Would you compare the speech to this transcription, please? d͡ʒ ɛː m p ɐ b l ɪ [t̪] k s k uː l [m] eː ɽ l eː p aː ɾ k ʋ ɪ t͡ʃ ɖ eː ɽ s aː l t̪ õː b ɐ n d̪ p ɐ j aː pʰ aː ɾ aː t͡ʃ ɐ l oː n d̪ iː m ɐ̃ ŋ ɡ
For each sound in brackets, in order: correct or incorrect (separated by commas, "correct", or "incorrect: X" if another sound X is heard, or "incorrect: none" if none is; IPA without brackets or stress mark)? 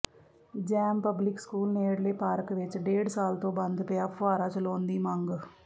incorrect: none, incorrect: n